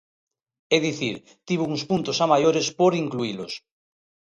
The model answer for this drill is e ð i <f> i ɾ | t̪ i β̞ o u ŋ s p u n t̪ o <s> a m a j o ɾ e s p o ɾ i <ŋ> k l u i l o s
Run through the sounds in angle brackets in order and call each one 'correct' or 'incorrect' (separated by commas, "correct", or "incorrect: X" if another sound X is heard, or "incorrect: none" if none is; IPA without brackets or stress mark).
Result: incorrect: θ, correct, correct